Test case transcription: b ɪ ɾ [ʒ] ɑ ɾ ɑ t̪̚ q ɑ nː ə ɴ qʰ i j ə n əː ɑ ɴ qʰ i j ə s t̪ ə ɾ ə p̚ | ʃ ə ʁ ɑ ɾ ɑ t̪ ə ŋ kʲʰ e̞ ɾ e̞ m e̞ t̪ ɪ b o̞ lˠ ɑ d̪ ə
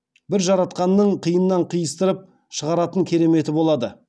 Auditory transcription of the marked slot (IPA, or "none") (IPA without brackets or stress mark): ʒ